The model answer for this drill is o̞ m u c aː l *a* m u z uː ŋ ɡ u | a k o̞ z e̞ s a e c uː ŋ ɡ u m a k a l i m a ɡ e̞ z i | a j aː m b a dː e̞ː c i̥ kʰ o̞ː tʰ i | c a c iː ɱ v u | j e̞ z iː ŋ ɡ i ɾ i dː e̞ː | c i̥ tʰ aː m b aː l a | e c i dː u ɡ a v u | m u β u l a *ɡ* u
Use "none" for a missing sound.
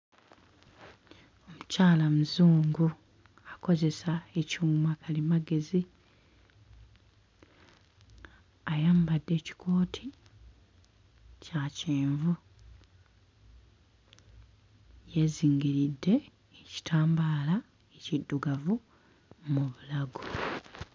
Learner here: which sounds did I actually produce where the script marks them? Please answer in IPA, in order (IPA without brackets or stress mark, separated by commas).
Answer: a, ɡ